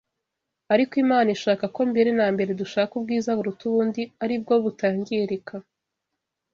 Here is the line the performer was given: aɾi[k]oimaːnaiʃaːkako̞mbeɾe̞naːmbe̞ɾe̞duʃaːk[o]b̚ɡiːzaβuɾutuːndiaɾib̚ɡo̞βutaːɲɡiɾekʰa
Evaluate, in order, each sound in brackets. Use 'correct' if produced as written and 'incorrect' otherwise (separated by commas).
correct, incorrect